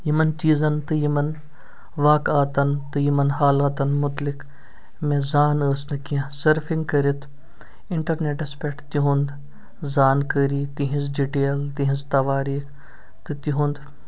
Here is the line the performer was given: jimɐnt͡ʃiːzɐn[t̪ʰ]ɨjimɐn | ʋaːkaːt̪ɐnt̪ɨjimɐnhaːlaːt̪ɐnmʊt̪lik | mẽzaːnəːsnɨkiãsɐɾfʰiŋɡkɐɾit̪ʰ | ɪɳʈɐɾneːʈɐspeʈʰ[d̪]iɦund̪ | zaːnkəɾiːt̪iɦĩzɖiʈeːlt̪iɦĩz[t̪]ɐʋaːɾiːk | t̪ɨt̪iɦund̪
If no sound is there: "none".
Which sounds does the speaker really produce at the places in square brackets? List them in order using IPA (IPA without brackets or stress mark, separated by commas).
t̪, t̪, t̪